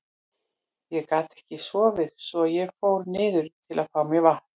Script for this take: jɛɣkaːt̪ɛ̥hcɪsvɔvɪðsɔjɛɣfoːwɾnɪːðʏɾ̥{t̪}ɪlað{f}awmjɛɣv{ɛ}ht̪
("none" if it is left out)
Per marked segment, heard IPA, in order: t̪ʰ, f, a

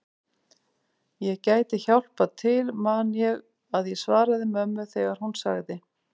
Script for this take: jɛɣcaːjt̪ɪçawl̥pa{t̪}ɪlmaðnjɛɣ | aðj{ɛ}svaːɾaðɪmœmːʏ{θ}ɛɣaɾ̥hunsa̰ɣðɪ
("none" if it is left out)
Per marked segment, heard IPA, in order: t̪ʰ, ɛ, θ

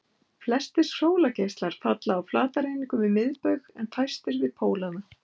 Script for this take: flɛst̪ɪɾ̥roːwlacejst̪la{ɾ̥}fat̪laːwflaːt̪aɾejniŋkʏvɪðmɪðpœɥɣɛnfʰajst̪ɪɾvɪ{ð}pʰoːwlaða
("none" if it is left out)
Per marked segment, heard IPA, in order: ɾ̥, ð

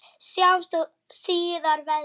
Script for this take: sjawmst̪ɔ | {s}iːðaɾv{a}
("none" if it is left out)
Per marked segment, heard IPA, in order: s, ɛ

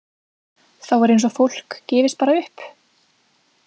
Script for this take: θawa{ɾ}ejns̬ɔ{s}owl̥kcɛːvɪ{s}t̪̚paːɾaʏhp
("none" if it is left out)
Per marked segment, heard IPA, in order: ɾ, f, s

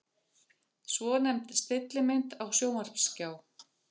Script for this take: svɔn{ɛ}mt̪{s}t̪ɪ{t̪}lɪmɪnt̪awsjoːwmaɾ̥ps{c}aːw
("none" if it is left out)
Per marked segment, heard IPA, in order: ɛ, s, t̪, c

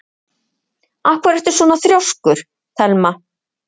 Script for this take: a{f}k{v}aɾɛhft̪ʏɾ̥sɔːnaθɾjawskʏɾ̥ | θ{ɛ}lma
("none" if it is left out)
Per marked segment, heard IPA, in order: h, v, ɛ

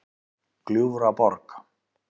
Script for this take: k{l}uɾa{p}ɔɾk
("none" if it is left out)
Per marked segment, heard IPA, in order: l, p

